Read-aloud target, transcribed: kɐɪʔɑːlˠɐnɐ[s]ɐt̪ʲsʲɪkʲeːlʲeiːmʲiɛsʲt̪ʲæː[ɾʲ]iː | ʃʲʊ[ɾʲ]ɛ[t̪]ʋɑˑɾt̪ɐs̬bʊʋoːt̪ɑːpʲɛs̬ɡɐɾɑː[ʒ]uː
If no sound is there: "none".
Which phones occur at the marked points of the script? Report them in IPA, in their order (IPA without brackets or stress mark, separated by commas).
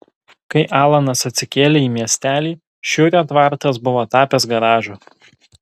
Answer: s, lʲ, ɾʲ, t̪, ʒ